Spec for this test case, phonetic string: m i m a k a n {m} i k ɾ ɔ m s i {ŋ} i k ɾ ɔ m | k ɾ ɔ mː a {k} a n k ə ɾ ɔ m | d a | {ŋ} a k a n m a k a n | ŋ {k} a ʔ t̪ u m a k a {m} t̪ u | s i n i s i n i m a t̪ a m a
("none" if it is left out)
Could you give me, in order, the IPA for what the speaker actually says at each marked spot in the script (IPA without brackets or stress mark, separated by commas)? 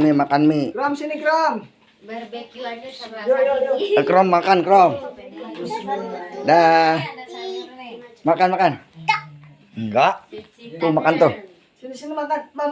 m, n, k, m, ɡ, n